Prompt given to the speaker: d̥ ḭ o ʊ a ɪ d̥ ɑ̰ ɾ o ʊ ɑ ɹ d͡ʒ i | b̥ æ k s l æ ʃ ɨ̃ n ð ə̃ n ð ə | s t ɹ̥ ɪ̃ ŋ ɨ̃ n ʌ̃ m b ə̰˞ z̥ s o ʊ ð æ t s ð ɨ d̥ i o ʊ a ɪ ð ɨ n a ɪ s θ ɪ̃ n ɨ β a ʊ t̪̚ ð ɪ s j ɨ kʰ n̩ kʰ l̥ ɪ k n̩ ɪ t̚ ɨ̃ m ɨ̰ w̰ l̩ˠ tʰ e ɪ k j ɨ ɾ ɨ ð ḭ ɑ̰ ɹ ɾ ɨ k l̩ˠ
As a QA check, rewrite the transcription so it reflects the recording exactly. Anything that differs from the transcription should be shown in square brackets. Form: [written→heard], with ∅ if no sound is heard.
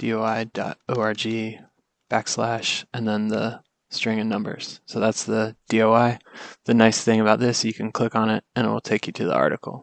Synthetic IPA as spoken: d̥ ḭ o ʊ a ɪ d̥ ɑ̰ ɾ o ʊ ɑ ɹ d͡ʒ i | b̥ æ k s l æ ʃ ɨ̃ n ð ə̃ n ð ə | s t ɹ̥ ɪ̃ ŋ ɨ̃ n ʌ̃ m b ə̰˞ z̥ s o ʊ ð æ t s ð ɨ d̥ i o ʊ a ɪ ð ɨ n a ɪ s θ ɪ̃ [n→ŋ] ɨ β a ʊ t̪̚ ð ɪ s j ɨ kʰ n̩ kʰ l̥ ɪ k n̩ ɪ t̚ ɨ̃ [m→n] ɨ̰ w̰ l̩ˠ tʰ e ɪ k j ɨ ɾ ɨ ð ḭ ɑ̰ ɹ ɾ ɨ k l̩ˠ